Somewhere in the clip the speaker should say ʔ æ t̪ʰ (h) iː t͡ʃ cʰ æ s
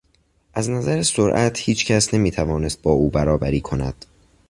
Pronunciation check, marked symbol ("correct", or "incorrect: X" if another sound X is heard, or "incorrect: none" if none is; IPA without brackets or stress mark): correct